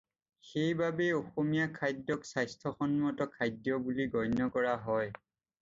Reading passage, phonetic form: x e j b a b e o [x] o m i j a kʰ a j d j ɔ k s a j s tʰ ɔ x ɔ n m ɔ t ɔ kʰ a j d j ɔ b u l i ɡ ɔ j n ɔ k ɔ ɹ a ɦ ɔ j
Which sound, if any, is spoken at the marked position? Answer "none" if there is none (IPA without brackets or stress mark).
x